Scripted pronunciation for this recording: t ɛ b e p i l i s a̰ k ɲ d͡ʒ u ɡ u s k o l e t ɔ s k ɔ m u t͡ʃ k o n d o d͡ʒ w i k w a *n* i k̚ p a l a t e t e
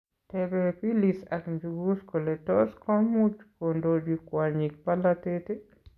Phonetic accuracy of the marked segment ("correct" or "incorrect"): incorrect